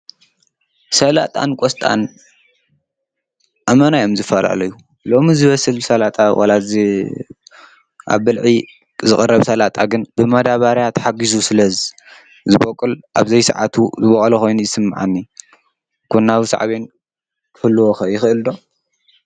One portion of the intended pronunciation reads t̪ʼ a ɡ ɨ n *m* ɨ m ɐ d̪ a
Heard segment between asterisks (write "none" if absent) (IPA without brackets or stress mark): b